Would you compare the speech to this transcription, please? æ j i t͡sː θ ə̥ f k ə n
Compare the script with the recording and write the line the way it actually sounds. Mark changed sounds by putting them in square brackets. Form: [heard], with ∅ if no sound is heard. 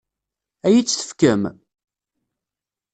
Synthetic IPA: æ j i t͡sː θ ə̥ f k ə [m]

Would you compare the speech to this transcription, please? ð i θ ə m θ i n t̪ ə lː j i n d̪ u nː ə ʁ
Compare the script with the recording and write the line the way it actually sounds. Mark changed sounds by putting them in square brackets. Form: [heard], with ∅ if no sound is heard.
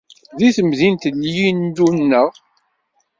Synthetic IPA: ð i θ ə m [ð] i n t̪ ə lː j i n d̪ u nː ə ʁ

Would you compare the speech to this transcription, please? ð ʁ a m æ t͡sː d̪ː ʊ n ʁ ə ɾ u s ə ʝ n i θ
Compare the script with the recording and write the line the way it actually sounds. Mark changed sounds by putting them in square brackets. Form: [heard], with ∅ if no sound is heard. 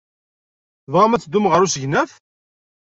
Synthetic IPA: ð ʁ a m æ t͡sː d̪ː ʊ [m] ʁ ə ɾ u s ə ʝ n [æ] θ

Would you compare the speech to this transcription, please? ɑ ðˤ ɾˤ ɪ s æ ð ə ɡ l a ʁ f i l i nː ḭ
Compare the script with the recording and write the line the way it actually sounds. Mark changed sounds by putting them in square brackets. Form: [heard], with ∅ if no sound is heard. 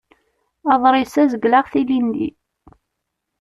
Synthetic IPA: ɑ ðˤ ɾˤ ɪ s æ [z] ə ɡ l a ʁ [θ] i l i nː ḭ

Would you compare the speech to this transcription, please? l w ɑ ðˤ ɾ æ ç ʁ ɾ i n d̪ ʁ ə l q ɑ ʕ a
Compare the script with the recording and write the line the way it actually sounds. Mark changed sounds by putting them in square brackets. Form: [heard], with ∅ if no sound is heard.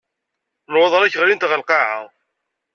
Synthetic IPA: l w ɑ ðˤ ɾ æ ç ʁ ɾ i n [t̪] ʁ ə l q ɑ ʕ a

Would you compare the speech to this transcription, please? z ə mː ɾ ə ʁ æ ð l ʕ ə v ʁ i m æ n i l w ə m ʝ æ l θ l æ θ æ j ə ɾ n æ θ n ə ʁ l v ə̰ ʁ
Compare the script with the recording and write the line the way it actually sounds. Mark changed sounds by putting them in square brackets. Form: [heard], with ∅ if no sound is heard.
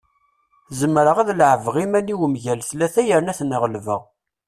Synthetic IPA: z ə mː ɾ ə ʁ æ ð l ʕ ə v ʁ i m æ n i [∅] w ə m ʝ æ l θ l æ θ æ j ə ɾ n æ θ n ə ʁ l v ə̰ ʁ

